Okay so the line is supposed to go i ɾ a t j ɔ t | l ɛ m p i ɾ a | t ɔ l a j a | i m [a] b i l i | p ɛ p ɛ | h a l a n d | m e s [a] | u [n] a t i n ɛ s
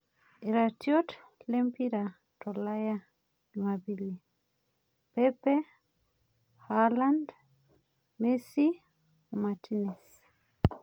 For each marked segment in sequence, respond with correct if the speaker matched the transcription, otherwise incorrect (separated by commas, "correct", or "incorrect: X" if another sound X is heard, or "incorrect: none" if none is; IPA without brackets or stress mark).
correct, incorrect: i, incorrect: m